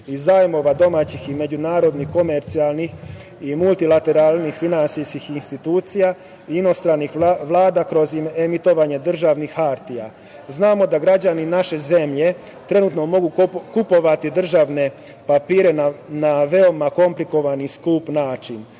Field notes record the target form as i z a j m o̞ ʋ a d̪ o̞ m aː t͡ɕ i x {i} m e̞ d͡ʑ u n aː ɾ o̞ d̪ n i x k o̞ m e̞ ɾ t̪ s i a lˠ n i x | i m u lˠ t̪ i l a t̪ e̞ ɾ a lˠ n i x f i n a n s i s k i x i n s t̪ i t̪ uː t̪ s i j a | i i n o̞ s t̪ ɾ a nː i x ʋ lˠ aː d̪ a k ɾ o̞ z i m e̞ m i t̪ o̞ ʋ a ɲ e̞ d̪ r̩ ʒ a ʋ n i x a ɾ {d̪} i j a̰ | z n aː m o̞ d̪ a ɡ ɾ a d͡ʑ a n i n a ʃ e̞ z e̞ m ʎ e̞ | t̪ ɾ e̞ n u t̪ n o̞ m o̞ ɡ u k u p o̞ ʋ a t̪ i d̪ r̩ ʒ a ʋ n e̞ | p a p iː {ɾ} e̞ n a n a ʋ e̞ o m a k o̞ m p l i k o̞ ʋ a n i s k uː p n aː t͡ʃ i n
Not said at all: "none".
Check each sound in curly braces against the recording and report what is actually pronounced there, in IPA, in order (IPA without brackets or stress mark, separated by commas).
i, t̪, ɾ